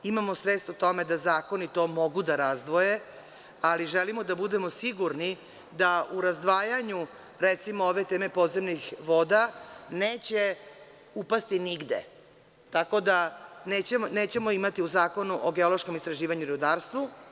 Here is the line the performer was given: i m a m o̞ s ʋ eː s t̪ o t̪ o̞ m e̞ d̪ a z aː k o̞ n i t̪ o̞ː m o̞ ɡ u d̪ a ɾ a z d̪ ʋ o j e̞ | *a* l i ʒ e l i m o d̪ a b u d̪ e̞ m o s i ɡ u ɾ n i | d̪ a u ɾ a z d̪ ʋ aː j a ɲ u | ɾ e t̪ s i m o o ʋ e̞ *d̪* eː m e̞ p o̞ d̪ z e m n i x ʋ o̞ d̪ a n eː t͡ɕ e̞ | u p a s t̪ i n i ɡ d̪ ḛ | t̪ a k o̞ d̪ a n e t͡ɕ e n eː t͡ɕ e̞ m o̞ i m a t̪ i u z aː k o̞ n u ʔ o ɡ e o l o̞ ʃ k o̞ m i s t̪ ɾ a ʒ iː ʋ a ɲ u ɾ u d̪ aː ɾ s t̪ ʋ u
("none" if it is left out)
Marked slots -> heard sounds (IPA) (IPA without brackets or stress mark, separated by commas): a, t̪